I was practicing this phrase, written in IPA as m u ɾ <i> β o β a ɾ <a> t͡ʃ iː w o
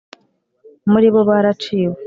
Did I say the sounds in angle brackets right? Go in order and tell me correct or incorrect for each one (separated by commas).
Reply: correct, correct